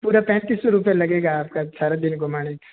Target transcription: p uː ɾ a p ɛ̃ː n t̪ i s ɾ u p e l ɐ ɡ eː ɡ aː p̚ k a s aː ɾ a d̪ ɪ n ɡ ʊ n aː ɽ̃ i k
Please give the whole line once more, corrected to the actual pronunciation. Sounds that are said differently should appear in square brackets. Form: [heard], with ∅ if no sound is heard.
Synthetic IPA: p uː ɾ a p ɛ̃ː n t̪ i s ɾ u p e l ɐ ɡ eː ɡ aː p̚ k a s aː ɾ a d̪ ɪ n ɡ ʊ [m] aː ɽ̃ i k